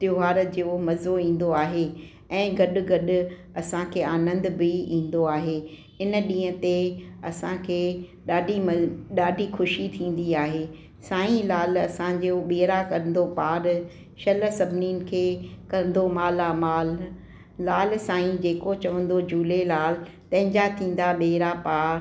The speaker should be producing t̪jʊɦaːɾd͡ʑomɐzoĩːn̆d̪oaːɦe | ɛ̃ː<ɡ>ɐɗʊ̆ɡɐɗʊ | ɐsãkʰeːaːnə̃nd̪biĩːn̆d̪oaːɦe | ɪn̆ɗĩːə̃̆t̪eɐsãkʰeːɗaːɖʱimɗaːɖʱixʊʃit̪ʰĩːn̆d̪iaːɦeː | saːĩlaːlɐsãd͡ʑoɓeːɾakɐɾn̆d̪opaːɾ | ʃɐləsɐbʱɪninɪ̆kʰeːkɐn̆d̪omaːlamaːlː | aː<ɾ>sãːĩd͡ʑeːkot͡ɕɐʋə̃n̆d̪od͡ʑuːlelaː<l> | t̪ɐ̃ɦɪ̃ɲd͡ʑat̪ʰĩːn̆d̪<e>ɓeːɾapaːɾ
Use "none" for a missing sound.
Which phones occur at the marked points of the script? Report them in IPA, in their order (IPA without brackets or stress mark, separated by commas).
ɡ, l, l, a